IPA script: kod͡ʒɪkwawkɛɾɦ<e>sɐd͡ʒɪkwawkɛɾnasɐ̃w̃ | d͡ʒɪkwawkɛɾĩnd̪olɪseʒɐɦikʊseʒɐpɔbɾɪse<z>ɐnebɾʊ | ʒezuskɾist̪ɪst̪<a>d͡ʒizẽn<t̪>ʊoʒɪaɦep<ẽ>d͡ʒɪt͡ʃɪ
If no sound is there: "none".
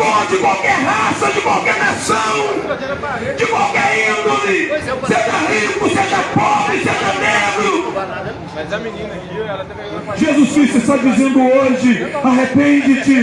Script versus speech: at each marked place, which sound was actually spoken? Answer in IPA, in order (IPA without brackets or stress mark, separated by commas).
a, ʒ, a, d̪, ẽ